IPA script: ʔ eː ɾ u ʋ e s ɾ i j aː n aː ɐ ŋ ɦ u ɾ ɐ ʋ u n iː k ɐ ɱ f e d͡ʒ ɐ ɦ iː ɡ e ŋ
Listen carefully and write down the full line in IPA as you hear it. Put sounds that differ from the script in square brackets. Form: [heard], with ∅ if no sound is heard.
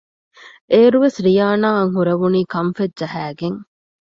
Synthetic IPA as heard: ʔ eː ɾ u ʋ e s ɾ i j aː n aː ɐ ŋ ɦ u ɾ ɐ ʋ u n iː k ɐ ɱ f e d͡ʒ ɐ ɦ [æː] ɡ e ŋ